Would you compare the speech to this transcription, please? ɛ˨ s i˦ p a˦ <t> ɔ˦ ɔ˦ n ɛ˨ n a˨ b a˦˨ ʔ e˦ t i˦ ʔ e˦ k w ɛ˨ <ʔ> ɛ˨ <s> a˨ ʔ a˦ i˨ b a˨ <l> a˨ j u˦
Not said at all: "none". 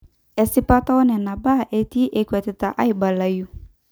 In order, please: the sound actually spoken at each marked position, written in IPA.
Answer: t, t, t, l

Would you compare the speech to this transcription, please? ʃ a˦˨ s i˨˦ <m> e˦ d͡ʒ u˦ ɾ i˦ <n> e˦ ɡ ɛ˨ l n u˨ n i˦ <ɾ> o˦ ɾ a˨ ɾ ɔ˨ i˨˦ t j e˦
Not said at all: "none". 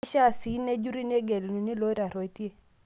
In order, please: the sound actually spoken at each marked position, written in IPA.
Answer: n, n, l

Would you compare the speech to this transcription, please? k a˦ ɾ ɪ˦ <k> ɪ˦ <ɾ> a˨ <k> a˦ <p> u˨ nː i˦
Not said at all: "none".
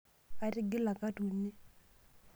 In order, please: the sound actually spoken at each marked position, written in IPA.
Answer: ɡ, l, k, t

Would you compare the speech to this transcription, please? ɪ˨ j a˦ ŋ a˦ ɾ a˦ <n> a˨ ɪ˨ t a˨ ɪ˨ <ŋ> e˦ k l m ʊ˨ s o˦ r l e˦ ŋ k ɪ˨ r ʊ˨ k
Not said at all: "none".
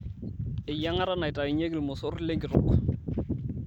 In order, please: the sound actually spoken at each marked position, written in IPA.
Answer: n, ɲ

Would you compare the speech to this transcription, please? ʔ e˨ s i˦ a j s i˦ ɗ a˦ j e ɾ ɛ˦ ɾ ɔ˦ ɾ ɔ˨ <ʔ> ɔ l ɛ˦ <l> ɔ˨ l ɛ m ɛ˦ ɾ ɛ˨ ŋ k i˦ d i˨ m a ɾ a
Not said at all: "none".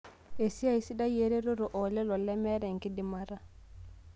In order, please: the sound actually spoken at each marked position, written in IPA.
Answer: ʔ, l

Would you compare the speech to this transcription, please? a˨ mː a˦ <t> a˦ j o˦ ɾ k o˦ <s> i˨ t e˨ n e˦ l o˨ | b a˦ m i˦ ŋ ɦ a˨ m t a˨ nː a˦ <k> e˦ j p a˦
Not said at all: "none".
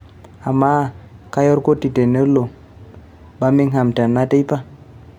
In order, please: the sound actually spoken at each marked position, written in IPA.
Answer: k, t, t

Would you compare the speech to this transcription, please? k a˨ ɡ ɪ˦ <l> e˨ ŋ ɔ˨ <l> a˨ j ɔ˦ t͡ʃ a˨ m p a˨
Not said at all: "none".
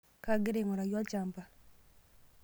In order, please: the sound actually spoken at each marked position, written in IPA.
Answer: ɾ, ɾ

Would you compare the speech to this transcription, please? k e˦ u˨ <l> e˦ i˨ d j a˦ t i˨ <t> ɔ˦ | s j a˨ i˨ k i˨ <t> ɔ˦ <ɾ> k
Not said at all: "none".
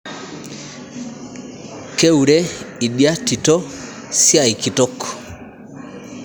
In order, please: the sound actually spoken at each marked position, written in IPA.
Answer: ɾ, t, t, none

